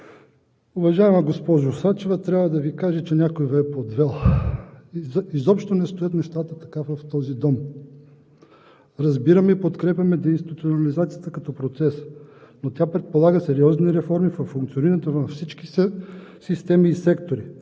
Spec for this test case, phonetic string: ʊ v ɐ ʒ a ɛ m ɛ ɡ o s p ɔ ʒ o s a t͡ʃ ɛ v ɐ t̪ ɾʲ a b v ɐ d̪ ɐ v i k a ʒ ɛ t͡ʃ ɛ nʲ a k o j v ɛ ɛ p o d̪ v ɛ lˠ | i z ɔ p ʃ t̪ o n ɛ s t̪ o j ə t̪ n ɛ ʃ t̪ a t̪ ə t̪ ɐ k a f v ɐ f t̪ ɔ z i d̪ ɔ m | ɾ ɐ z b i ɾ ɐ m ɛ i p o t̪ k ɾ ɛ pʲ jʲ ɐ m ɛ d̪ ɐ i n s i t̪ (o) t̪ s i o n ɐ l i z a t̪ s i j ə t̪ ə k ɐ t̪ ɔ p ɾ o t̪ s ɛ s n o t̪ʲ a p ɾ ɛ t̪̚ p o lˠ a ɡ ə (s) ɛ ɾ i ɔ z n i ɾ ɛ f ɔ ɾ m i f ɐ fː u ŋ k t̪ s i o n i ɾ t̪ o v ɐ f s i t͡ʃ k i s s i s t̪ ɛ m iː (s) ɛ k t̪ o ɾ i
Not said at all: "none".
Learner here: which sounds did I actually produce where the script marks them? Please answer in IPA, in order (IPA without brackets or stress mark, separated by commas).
u, s, s